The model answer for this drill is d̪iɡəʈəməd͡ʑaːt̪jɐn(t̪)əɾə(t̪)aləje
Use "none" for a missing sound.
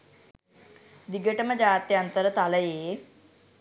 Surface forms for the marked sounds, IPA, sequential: t̪, t̪

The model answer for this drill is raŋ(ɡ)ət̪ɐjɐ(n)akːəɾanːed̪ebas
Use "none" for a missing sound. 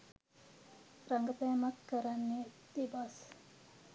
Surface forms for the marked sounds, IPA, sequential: ɡ, m

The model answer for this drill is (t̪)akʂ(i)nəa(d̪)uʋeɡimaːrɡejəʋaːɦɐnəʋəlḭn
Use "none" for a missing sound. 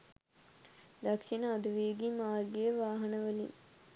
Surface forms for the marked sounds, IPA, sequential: d̪, i, d̪

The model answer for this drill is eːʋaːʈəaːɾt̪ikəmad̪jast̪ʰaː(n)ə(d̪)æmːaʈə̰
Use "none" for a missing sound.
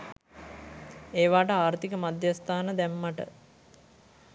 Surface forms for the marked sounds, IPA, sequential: n, d̪

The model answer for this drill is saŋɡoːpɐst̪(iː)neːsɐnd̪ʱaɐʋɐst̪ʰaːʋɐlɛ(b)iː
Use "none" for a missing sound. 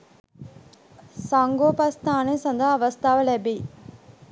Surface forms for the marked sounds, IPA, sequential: aː, b

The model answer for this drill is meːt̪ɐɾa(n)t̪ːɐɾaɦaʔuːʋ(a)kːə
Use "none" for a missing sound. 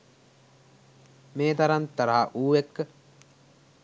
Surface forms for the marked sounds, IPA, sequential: n, e

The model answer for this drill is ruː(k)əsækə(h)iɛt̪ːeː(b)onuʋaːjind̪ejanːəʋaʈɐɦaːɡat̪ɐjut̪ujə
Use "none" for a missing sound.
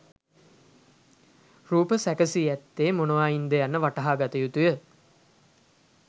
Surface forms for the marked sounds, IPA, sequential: p, s, m

